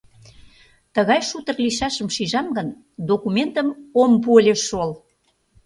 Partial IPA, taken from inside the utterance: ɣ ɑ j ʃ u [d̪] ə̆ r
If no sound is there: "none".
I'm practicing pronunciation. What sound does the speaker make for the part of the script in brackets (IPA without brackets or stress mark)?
t̪